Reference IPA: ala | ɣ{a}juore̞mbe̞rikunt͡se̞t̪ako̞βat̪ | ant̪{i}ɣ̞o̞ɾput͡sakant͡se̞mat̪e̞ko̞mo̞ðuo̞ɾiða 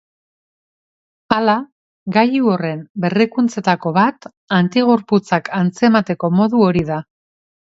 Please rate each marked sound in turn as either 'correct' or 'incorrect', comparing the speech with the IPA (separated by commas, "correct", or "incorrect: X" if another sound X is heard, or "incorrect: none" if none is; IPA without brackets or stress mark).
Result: correct, correct